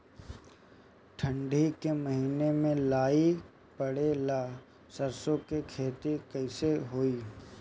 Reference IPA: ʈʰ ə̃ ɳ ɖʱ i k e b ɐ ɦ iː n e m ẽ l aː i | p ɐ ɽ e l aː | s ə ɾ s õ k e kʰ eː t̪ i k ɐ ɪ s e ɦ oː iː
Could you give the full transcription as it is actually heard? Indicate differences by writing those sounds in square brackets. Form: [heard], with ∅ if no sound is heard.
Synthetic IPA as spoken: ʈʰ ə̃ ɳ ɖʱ i k e [m] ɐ ɦ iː n e m ẽ l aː i | p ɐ ɽ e l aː | s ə ɾ s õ k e kʰ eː t̪ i k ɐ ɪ s e ɦ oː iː